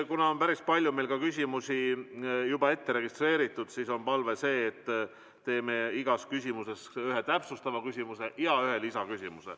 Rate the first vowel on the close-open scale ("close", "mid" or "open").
close